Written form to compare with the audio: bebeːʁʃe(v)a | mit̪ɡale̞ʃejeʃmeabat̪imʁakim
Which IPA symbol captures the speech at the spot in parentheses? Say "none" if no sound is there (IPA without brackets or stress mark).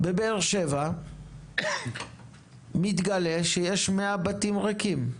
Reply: v